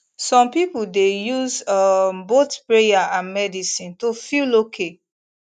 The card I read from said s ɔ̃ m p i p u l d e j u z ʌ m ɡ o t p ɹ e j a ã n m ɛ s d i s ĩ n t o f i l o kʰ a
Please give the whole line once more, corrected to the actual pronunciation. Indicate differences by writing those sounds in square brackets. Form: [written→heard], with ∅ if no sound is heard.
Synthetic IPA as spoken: s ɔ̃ m p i p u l d e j u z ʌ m [ɡ→b] o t p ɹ e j a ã n m ɛ [s→∅] d i s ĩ n t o f i l o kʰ [a→e]